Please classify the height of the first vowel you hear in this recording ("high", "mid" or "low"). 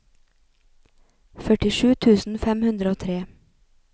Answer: mid